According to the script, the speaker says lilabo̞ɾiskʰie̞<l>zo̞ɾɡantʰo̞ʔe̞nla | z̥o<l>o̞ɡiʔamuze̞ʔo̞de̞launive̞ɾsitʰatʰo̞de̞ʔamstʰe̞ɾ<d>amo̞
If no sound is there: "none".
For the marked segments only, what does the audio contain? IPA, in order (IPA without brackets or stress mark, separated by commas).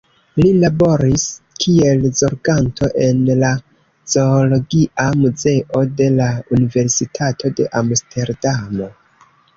l, l, d